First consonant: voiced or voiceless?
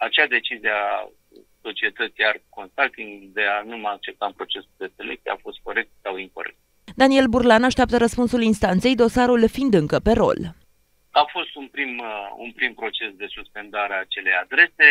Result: voiceless